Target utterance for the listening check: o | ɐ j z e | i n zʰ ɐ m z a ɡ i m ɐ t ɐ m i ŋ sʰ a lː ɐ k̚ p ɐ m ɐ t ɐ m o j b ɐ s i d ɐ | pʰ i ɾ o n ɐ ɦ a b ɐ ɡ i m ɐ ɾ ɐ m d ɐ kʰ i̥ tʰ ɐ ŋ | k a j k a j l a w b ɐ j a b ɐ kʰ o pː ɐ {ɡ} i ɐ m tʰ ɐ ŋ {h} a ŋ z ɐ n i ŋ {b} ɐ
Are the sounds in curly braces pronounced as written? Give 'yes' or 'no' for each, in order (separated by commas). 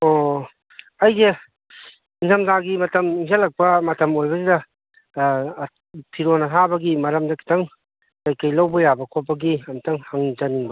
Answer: yes, yes, yes